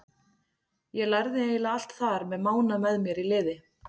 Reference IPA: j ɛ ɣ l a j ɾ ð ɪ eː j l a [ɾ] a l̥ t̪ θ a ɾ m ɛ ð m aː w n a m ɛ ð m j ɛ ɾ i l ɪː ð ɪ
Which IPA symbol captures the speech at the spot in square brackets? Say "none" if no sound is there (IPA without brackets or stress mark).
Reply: none